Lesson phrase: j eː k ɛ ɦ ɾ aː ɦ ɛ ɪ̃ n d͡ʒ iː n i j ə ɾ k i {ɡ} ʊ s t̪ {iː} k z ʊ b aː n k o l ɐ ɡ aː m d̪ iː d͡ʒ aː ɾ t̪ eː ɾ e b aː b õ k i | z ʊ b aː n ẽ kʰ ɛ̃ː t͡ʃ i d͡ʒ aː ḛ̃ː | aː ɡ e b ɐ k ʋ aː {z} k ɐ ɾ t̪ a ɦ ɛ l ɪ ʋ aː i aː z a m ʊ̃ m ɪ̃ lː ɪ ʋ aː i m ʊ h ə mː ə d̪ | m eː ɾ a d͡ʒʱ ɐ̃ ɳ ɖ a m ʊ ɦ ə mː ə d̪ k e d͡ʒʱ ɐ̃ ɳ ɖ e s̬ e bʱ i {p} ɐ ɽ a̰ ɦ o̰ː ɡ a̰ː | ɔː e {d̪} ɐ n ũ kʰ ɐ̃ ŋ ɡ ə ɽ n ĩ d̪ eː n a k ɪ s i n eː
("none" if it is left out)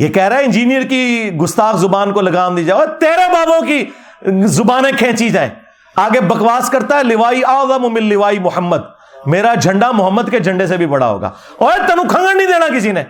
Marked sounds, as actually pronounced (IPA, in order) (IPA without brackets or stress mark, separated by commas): ɡ, aː, s, b, t̪